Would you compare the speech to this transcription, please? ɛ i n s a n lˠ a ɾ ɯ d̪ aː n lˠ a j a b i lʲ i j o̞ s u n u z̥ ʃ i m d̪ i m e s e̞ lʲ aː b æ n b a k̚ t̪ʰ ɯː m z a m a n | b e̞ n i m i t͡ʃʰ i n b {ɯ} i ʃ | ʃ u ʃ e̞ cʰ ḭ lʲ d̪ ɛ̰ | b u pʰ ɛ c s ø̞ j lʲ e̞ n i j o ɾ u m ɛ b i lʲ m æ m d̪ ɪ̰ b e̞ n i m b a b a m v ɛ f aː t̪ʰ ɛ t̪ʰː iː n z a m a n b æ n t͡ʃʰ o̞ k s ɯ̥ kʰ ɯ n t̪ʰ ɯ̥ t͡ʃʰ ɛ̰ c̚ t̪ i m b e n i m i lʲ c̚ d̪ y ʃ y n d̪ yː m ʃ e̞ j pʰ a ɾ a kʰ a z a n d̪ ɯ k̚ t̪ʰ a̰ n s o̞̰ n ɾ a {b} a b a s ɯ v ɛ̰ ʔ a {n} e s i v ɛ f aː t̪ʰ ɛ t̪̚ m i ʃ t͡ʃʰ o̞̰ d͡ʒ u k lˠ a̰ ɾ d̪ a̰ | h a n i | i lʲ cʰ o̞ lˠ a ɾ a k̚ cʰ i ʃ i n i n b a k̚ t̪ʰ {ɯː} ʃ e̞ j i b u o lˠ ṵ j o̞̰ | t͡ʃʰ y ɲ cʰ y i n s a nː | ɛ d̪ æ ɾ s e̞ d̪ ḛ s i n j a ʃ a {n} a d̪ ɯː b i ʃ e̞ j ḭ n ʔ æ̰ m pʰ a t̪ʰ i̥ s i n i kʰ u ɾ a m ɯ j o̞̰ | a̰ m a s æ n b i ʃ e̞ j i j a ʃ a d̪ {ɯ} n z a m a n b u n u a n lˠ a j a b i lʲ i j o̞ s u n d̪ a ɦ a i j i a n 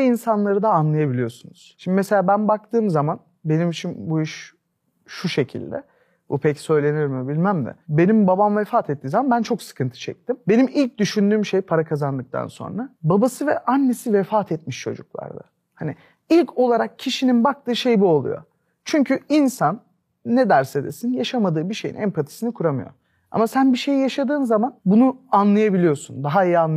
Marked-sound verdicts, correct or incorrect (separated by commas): incorrect, correct, incorrect, correct, incorrect, incorrect